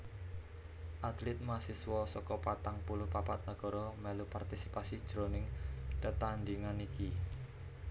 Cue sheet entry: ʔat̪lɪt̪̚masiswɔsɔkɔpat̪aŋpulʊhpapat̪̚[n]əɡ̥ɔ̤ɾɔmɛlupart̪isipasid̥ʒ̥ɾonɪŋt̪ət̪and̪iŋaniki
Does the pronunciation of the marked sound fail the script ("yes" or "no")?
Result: no